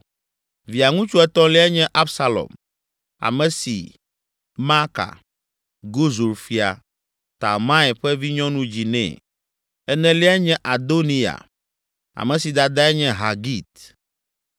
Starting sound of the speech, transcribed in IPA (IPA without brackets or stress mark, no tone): v